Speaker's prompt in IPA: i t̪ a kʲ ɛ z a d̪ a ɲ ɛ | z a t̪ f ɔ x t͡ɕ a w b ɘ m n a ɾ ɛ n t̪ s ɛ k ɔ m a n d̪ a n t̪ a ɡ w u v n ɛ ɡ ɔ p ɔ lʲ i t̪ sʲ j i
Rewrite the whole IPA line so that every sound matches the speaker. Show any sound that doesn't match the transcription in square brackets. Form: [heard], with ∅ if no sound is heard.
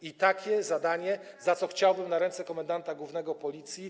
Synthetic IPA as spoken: i t̪ a kʲ ɛ z a d̪ a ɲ ɛ | z a t̪ [s] ɔ x t͡ɕ a w b ɘ m n a ɾ ɛ n t̪ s ɛ k ɔ m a n d̪ a n t̪ a ɡ w u v n ɛ ɡ ɔ p ɔ lʲ i t̪ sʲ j i